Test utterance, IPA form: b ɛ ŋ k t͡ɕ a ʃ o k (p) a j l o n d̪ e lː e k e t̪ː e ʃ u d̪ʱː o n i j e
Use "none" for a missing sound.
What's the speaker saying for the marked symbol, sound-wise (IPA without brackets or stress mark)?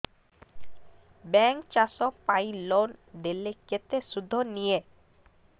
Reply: p